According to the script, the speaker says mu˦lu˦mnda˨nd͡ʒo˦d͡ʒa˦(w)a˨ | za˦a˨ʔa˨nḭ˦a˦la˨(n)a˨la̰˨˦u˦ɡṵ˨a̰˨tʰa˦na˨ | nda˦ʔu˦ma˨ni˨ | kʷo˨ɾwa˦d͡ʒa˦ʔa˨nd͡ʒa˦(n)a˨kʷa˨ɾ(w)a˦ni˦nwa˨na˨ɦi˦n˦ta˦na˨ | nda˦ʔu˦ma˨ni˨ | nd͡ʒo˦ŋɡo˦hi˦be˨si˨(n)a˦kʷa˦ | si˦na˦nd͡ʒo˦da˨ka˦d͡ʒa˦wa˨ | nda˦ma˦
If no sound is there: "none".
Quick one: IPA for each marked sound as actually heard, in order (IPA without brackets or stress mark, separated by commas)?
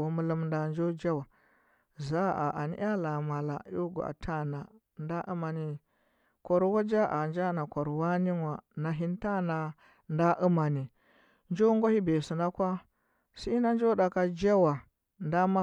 w, m, n, w, n